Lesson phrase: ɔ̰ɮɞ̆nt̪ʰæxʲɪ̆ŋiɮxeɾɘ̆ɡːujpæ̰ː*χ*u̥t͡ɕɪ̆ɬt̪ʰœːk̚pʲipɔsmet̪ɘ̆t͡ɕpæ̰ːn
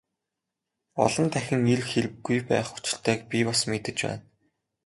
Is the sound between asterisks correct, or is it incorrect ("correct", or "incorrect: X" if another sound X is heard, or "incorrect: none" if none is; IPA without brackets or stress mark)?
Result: correct